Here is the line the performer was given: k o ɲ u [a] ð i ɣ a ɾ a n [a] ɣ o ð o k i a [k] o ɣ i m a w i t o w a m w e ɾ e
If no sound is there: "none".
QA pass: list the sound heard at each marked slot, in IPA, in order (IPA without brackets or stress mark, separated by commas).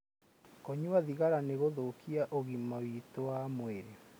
a, e, ʔ